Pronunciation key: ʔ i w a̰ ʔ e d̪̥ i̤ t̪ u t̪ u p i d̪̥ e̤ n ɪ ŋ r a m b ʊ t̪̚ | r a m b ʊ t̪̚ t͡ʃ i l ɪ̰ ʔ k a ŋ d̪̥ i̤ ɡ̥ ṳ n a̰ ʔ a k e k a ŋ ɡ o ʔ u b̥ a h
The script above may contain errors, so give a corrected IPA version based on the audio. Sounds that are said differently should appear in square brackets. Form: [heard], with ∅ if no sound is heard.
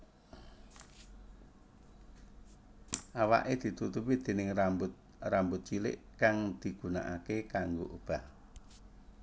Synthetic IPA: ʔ [a] w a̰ ʔ e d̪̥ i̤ t̪ u t̪ u p i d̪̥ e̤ n ɪ ŋ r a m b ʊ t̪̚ | r a m b ʊ t̪̚ t͡ʃ i l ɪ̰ ʔ k a ŋ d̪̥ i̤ ɡ̥ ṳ n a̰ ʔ a k e k a ŋ ɡ o ʔ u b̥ a h